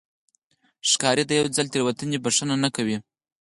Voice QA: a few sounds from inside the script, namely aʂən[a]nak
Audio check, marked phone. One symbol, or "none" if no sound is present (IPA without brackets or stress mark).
a